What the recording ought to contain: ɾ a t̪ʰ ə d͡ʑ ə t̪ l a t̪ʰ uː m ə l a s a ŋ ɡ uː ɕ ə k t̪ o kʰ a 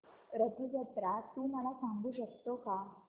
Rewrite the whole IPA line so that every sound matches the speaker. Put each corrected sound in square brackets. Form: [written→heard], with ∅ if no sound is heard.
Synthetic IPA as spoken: ɾ [a→ə] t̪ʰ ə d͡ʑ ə t̪ [l→ɾ] a [t̪ʰ→t̪] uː m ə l a s a ŋ ɡ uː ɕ ə k t̪ o [kʰ→k] a